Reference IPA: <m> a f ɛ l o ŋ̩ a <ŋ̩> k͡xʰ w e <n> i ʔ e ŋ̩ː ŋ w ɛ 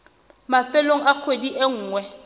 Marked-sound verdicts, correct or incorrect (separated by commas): correct, incorrect, incorrect